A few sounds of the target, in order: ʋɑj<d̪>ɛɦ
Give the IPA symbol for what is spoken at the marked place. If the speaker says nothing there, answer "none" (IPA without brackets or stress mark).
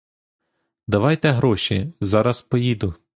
t̪